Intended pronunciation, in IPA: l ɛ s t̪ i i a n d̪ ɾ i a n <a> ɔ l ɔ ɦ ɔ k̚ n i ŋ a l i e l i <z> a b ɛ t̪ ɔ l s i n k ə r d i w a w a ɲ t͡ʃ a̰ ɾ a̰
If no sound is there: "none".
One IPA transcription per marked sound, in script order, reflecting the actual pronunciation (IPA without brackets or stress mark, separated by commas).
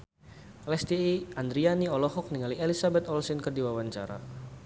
i, s